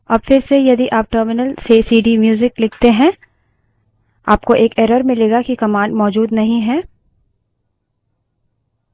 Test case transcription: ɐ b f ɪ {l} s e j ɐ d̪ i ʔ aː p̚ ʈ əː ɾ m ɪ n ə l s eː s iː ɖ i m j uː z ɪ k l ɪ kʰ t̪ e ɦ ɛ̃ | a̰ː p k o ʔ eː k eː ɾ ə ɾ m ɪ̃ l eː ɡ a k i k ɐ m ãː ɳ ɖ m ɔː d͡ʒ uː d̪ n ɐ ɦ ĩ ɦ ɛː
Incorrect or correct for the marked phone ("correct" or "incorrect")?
incorrect